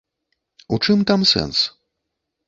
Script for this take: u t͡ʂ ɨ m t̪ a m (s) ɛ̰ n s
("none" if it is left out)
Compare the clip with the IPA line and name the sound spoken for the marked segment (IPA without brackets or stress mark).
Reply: s